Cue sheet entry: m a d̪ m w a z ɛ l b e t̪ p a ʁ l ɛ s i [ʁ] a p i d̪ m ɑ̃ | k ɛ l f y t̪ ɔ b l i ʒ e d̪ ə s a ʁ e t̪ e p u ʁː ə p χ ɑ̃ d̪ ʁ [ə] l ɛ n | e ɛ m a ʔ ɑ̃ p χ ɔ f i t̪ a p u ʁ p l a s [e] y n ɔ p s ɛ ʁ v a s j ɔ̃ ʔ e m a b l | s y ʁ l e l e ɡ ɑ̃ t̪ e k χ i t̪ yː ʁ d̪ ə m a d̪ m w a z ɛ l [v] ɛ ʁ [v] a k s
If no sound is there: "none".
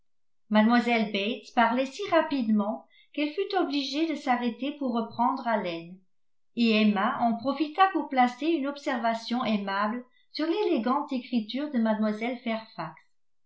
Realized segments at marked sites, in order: ʁ, a, e, f, f

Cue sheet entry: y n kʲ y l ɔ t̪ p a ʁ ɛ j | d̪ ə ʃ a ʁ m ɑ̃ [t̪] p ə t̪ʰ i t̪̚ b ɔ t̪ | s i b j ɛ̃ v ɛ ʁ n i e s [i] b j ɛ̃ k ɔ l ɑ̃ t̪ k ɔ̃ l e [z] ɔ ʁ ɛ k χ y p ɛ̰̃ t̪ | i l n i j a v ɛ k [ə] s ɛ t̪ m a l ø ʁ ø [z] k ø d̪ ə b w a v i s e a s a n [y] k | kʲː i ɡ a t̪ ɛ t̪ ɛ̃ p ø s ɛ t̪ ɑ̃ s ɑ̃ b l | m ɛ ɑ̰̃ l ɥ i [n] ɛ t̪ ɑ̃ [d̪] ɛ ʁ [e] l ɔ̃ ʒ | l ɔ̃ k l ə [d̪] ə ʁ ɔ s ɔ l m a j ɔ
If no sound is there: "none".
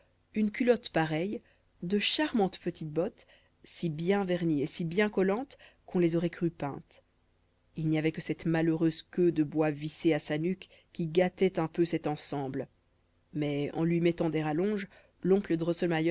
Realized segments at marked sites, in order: t̪, i, z, ə, z, y, m, d̪, a, d̪

